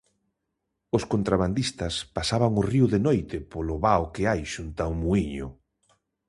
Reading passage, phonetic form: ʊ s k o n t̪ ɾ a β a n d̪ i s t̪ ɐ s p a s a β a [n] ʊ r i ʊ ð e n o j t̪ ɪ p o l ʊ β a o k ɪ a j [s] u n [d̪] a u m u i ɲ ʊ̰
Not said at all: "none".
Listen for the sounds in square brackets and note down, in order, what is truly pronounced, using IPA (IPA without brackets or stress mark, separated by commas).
ŋ, ʃ, t̪